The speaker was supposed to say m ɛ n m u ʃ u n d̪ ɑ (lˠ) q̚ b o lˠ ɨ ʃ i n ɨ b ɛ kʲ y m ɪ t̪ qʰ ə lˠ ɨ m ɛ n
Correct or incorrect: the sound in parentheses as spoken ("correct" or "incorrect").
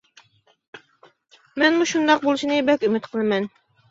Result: incorrect